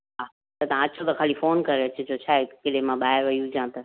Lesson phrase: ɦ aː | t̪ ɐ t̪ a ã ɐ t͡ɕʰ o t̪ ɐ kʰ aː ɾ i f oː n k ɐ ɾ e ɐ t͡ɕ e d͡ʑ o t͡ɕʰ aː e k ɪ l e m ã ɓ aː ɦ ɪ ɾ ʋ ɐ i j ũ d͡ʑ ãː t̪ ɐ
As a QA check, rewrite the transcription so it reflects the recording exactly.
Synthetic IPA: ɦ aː | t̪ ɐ t̪ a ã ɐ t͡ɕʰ o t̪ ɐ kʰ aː l i f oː n k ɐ ɾ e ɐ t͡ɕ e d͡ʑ o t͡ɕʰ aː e k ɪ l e m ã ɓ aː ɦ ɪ ɾ ʋ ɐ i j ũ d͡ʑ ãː t̪ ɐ